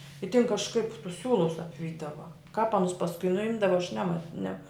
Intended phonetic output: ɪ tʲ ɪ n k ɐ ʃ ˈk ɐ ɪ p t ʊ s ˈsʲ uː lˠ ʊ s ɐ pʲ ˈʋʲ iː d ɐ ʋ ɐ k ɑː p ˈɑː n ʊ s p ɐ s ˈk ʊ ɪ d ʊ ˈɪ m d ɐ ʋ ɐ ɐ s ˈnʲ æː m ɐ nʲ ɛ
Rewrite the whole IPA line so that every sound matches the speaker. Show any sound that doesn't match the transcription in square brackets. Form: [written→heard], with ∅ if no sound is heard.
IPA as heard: ɪ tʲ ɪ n k ɐ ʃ ˈk ɐ ɪ p t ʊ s ˈsʲ uː lˠ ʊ s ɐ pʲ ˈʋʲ iː d ɐ ʋ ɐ k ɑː p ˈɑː n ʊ s p ɐ s ˈk ʊ ɪ [d→n] ʊ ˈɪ m d ɐ ʋ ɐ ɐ [s→ʃ] ˈnʲ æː m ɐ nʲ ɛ